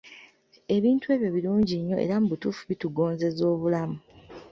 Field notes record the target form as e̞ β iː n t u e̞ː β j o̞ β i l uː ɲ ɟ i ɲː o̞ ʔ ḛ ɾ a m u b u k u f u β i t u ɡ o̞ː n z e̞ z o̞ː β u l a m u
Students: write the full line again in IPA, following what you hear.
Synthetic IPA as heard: e̞ β iː n t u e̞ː β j o̞ β i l uː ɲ ɟ i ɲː o̞ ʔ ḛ ɾ a m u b u t u f u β i t u ɡ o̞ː n z e̞ z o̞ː β u l a m u